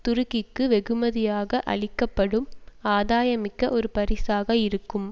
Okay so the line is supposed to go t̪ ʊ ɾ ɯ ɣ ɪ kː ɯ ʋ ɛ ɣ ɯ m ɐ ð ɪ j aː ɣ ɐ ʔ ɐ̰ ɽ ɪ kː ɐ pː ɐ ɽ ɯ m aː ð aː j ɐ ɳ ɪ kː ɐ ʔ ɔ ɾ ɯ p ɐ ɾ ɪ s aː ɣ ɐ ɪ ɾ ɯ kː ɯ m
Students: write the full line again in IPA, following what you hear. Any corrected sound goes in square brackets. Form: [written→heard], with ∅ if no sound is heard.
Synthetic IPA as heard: t̪ ʊ ɾ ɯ ɣ ɪ kː ɯ ʋ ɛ ɣ ɯ m ɐ ð ɪ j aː ɣ ɐ ʔ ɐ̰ [ɽ→ɭ] ɪ kː ɐ pː ɐ ɽ ɯ m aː ð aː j ɐ [ɳ→m] ɪ kː ɐ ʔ ɔ ɾ ɯ p ɐ ɾ ɪ s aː ɣ ɐ ɪ ɾ ɯ kː ɯ m